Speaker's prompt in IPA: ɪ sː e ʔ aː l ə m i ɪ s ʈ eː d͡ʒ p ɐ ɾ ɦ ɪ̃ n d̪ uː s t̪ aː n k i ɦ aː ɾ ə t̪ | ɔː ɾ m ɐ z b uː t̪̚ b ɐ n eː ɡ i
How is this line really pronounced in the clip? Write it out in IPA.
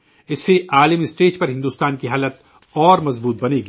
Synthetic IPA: ɪ sː e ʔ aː l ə m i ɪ s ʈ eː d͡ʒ p ɐ ɾ ɦ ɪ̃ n d̪ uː s t̪ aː n k i ɦ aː l ə t̪ | ɔː ɾ m ɐ z b uː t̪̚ b ɐ n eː ɡ i